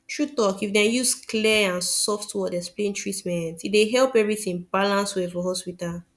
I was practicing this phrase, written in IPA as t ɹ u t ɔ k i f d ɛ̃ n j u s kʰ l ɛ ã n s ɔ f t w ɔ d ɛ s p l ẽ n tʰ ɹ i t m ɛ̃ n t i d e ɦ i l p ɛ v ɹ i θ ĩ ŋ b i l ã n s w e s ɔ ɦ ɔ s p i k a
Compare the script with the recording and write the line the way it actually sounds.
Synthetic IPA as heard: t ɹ u t ɔ k i f d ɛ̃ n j u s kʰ l ɛ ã n s ɔ f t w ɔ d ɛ s p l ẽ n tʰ ɹ i t m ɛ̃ n t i d e ɦ ɛ l p ɛ v ɹ i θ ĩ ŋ b a l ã n s w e f ɔ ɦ ɔ s p i t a